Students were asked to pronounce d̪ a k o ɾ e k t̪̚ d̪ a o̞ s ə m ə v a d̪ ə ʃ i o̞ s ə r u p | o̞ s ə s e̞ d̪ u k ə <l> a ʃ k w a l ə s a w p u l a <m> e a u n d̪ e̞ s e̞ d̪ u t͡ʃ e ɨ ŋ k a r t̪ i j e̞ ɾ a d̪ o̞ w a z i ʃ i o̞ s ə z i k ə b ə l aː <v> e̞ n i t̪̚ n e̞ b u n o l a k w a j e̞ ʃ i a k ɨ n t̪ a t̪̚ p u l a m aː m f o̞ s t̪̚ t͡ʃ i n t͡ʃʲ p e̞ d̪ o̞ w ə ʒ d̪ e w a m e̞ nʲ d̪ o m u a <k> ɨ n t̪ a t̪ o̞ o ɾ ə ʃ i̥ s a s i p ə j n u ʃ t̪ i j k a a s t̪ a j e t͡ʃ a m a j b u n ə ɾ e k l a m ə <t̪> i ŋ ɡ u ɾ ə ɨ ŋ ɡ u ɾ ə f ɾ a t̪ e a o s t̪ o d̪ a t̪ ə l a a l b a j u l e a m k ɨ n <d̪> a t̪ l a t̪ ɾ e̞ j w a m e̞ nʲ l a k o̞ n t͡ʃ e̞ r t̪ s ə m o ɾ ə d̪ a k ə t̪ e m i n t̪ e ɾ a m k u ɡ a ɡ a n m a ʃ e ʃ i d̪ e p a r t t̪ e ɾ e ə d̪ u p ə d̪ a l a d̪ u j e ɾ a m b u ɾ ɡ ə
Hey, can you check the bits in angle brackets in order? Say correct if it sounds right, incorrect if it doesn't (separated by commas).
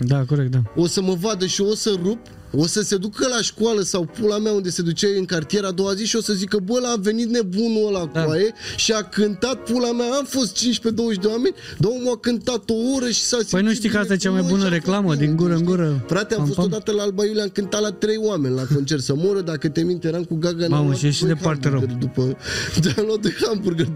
correct, correct, correct, correct, incorrect, incorrect